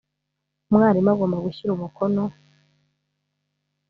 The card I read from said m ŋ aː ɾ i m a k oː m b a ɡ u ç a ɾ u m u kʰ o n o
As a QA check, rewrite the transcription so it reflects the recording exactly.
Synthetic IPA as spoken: m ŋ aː ɾ i m a ɡ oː m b a ɡ u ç i ɾ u m u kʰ o n o